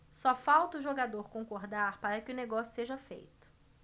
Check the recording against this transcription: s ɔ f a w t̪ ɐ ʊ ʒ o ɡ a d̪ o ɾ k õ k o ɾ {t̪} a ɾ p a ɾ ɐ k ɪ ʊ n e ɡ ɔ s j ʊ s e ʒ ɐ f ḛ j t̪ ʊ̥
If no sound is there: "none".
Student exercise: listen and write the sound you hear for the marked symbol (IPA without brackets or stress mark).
d̪